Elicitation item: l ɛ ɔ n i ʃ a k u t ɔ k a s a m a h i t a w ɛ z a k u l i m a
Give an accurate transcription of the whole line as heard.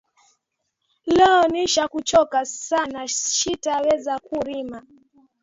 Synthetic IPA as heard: l ɛ ɔ n i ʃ a k u t͡ʃ ɔ k a s a n a ʃ i t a w ɛ z a k u ɾ i m a